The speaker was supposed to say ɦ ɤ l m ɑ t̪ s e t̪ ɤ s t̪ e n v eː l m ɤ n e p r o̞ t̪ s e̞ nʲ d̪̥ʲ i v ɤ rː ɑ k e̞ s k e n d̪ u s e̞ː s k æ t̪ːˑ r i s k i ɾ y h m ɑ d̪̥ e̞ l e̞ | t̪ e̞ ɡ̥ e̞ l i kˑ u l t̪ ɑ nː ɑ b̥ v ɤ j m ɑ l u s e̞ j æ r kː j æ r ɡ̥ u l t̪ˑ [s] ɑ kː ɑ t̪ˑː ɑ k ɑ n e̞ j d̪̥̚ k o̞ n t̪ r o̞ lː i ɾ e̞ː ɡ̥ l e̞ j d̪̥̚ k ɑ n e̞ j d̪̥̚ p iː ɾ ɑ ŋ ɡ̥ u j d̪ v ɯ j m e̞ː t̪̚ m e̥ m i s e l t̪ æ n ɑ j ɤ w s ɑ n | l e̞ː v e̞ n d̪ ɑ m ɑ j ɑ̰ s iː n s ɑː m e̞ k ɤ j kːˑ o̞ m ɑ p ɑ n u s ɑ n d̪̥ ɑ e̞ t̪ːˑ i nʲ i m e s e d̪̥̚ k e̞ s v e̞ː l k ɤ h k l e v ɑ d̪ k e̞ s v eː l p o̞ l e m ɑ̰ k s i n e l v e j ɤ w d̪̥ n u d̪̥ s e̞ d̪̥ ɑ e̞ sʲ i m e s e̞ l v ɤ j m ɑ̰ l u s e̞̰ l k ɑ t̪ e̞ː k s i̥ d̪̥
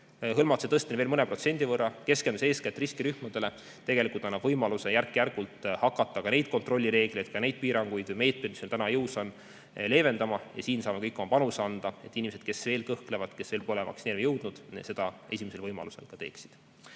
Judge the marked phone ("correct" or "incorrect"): incorrect